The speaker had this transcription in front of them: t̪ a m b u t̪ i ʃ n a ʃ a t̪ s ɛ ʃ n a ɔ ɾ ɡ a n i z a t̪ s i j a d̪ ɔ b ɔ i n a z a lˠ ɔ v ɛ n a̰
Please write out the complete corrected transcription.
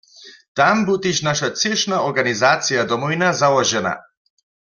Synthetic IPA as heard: t̪ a m b u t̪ i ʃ n a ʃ a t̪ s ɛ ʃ n a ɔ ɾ ɡ a n i z a t̪ s i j a d̪ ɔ m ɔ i n a z a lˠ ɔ ʒ ɛ n a̰